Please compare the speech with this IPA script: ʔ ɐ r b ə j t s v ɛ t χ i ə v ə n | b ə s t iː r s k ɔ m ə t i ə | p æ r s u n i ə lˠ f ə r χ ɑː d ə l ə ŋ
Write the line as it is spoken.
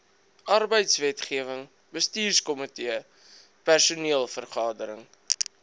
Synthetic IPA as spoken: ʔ ɐ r b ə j t s v ɛ t χ i ə v ə ŋ | b ə s t iː r s k ɔ m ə t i ə | p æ r s u n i ə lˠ f ə r χ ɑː d ə ɾ ə ŋ